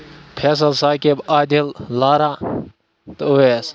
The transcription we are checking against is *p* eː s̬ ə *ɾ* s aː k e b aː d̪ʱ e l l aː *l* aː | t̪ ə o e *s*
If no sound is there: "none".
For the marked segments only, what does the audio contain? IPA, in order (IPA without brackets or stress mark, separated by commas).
pʰ, l, ɾ, s